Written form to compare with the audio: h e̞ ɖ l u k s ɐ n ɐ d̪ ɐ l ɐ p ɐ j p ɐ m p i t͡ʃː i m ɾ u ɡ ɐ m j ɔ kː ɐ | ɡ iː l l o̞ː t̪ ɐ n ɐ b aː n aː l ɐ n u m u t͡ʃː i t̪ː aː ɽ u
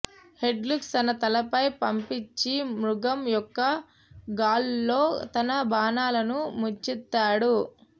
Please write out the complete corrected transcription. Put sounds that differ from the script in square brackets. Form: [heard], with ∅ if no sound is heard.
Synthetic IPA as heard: h e̞ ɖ l u k s ɐ n ɐ [t̪] ɐ l ɐ p ɐ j p ɐ m p i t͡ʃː i m ɾ u ɡ ɐ m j ɔ kː ɐ | ɡ [aː] l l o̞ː t̪ ɐ n ɐ b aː n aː l ɐ n u m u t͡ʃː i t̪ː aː ɽ u